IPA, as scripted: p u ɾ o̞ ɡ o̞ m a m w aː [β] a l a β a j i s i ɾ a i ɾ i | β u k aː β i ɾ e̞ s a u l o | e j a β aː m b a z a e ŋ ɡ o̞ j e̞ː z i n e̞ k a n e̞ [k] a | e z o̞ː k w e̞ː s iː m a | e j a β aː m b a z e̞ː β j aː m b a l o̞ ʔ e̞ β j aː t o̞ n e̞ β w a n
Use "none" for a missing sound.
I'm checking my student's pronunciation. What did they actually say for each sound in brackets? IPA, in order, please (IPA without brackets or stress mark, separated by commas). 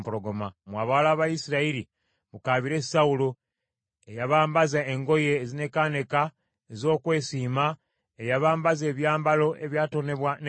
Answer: β, k